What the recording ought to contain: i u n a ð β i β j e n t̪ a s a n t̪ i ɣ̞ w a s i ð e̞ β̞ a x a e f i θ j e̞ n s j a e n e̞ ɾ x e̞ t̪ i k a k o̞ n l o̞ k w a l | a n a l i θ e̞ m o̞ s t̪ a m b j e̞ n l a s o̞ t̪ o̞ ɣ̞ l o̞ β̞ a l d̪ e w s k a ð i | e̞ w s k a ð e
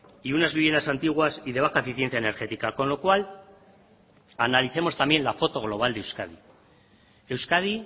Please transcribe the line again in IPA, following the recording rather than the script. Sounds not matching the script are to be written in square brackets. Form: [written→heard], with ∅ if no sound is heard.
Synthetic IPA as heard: i u n a [ð→z] β i β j e n [t̪→d̪] a s a n t̪ i ɣ̞ w a s i ð e̞ β̞ a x a e f i θ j e̞ n [s→θ] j a e n e̞ ɾ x e̞ t̪ i k a k o̞ n l o̞ k w a l | a n a l i θ e̞ m o̞ s t̪ a m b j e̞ n l a [s→f] o̞ t̪ o̞ ɣ̞ l o̞ β̞ a l d̪ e w s k a ð i | e̞ w s k a ð [e→i]

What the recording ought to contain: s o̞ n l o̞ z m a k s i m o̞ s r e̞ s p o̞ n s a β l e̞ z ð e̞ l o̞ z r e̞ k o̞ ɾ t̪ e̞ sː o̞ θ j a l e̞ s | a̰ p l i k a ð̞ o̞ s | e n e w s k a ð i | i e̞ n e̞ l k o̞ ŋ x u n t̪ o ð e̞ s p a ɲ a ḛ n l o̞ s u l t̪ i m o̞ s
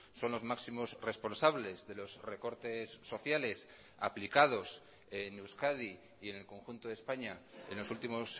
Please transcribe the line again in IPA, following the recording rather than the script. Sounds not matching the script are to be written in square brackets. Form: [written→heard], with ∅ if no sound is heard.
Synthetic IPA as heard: s o̞ n l o̞ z m a k s i m o̞ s r e̞ s p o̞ n s a β l e̞ z ð e̞ l o̞ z r e̞ k o̞ ɾ t̪ e̞ sː o̞ θ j a l e̞ s | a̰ p l i k a ð̞ o̞ s | e n e w s k a ð i | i e̞ n e̞ l k o̞ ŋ x u n t̪ o ð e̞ s p a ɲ a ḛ n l o̞ s u l t̪ i m o̞ s

